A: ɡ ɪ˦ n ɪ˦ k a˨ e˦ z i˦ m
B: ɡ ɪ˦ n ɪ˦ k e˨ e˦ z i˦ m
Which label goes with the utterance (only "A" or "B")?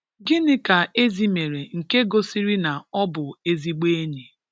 A